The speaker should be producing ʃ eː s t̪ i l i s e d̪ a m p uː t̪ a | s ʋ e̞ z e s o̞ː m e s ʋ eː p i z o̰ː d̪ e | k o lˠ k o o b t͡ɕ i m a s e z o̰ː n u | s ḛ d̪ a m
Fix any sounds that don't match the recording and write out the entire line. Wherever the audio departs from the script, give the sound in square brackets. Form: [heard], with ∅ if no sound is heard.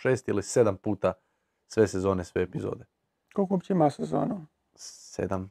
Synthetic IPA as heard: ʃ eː s t̪ i l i s e d̪ a m p uː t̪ a | s ʋ e̞ [s] e [z] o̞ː [n] e s ʋ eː p i z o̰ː d̪ e | k o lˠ k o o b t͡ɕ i m a s e z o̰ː n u | s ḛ d̪ a m